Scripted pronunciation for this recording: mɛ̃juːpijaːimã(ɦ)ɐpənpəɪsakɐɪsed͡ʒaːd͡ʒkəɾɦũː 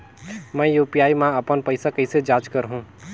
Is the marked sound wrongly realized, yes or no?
yes